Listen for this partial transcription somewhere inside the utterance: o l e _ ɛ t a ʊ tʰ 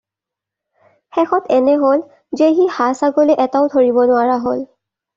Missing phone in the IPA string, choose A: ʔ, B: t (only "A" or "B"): A